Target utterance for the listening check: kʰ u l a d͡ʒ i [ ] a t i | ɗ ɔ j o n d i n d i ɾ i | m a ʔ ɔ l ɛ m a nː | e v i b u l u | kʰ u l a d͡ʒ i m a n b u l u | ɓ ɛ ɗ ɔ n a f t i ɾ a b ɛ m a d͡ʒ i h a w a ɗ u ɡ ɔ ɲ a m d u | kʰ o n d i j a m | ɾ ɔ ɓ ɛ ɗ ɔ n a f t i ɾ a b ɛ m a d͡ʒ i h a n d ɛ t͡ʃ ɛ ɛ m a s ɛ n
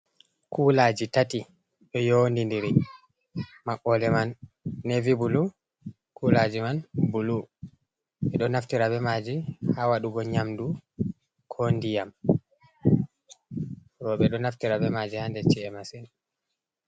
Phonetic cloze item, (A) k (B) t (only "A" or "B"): B